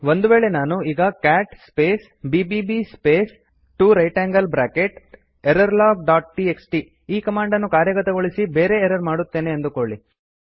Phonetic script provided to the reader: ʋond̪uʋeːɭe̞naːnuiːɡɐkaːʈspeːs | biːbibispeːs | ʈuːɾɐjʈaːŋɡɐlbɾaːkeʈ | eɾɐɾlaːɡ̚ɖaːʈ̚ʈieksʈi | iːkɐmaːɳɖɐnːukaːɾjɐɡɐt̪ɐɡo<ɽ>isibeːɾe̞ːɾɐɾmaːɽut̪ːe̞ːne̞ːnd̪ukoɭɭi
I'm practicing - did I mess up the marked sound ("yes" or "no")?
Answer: yes